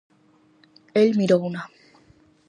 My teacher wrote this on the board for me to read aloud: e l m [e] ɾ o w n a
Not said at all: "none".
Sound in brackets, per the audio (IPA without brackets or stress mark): i